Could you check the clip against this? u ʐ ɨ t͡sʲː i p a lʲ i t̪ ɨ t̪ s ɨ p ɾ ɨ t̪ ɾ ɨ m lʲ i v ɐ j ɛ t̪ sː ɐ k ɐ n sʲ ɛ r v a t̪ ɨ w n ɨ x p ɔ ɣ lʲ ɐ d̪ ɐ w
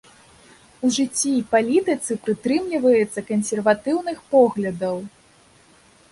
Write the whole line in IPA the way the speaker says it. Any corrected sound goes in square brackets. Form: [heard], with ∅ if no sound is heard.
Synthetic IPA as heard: u ʐ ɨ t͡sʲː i p a lʲ i t̪ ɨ t̪ s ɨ p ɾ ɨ t̪ ɾ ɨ m lʲ i v ɐ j ɛ t̪ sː ɐ k ɐ n sʲ ɛ r v a t̪ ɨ w n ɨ x p ɔ ɣ lʲ ɐ d̪ ɐ w